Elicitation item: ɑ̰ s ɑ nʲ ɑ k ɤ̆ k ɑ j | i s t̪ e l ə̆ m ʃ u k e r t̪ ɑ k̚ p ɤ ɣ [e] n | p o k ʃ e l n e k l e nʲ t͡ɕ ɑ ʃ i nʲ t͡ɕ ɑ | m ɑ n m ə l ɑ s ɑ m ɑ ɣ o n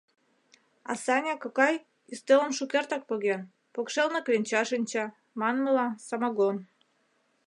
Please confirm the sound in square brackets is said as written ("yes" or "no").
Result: yes